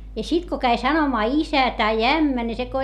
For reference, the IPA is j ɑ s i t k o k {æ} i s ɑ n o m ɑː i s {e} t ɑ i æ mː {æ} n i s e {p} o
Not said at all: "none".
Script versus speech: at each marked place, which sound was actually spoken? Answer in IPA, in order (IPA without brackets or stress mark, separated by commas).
æ, æ, æ, k